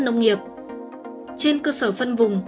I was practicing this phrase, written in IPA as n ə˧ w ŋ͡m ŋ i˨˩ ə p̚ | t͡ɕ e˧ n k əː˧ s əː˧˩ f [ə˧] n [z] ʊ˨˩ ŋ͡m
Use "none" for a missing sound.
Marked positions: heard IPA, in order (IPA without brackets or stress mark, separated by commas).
ə˧, v